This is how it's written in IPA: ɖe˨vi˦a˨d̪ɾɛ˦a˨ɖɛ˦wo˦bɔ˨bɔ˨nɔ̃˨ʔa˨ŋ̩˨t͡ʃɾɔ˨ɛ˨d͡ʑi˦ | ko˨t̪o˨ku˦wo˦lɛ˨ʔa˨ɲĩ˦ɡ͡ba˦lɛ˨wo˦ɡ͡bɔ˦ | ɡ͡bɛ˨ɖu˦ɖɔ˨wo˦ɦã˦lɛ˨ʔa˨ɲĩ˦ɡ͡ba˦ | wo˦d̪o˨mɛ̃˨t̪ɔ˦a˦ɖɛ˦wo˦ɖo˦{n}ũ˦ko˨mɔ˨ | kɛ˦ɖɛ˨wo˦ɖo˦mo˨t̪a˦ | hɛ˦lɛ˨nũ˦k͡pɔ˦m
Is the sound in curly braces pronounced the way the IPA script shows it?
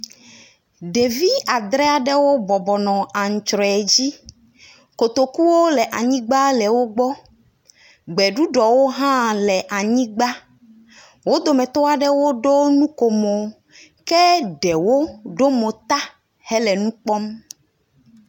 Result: yes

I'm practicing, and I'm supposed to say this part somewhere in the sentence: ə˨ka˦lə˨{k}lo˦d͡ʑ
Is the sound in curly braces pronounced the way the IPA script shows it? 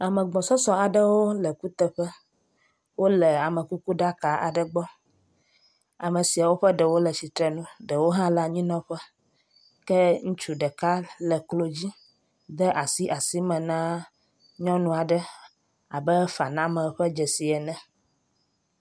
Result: yes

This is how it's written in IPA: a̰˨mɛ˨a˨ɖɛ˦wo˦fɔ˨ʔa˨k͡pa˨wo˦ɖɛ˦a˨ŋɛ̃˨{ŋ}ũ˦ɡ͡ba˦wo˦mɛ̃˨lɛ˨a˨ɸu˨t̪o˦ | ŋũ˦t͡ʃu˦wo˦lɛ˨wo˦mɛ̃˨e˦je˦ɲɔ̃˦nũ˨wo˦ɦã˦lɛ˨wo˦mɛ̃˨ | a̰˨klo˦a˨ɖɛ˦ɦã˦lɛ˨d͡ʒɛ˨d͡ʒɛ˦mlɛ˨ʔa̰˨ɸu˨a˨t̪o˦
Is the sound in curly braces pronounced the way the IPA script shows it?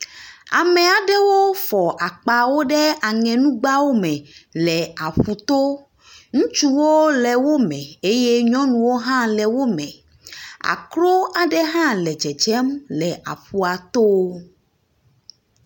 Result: no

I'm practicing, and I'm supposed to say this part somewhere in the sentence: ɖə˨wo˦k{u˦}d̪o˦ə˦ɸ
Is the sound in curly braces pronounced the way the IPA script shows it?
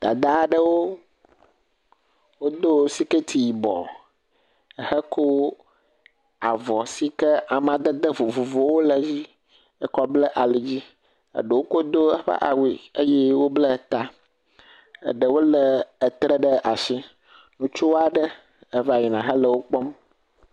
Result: no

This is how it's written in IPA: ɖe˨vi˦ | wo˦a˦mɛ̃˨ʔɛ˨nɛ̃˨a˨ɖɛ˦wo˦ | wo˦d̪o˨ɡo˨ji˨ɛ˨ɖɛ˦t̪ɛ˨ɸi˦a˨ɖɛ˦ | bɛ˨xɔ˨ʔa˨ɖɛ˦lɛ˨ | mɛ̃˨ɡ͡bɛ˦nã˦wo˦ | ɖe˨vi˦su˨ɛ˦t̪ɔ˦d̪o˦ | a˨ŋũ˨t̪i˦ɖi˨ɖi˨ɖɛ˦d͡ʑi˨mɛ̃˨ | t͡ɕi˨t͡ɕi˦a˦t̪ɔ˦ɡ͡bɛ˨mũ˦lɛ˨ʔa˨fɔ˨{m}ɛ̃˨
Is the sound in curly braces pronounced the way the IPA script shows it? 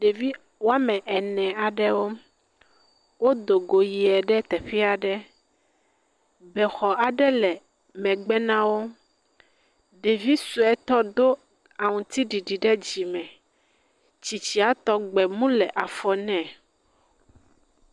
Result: no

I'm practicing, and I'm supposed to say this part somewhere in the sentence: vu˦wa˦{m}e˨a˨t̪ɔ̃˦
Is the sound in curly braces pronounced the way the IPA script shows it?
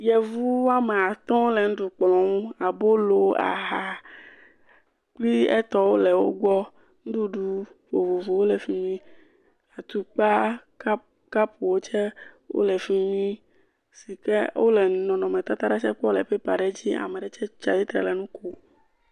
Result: yes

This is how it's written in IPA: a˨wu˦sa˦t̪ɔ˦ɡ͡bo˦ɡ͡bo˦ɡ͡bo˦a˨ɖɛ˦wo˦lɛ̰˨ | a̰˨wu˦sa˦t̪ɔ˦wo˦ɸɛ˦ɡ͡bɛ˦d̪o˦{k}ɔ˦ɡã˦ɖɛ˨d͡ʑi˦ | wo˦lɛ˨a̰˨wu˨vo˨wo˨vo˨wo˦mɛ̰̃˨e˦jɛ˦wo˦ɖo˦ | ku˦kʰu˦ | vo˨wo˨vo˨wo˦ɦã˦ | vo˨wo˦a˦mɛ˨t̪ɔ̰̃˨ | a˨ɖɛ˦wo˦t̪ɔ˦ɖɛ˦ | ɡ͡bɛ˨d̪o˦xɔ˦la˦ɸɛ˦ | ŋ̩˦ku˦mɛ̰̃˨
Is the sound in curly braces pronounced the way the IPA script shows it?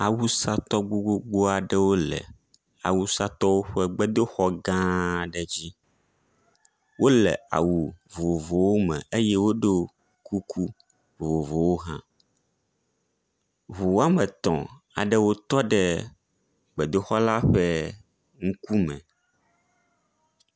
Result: no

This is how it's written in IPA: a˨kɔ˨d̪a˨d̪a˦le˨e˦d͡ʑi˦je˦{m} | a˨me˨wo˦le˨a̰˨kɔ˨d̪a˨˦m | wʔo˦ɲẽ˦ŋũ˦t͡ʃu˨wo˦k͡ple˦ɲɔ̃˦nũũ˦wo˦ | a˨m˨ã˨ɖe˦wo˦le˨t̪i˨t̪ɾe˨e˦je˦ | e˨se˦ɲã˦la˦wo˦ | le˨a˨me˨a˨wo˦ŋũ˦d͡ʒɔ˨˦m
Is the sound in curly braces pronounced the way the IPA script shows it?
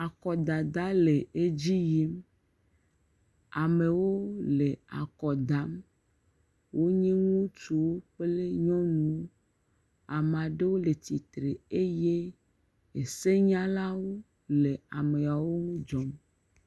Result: yes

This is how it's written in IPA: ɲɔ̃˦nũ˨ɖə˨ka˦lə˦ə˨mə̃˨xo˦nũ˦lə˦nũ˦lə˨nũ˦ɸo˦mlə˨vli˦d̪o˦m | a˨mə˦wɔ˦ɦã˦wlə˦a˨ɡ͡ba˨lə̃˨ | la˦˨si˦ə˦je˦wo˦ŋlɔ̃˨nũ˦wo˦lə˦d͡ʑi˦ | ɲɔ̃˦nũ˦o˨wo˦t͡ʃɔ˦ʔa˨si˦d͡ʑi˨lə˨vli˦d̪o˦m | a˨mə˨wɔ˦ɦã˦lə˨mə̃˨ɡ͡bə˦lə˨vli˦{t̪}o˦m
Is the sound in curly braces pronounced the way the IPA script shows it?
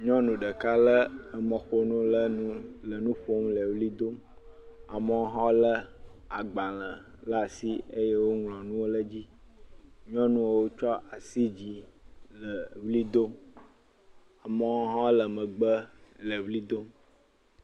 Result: no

